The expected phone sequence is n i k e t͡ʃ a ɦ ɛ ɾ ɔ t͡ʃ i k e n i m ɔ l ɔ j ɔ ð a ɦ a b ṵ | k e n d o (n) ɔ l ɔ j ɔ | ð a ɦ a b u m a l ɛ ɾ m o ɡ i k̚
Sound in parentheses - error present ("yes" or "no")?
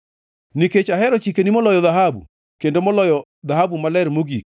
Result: yes